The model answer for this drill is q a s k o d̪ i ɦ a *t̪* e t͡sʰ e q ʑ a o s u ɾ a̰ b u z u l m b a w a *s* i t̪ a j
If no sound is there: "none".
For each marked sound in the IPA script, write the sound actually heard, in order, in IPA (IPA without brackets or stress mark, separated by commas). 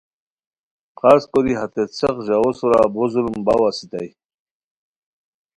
t̪, s